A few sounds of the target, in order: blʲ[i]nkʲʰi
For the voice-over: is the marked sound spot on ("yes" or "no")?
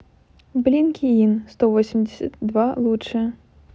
yes